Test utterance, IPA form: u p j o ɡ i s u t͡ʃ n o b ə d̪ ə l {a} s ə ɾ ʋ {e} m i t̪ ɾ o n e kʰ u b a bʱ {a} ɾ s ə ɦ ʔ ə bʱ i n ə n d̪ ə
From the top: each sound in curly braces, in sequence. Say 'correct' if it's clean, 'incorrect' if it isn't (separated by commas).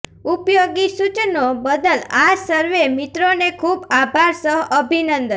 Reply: correct, correct, correct